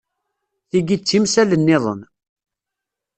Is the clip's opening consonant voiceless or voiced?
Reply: voiceless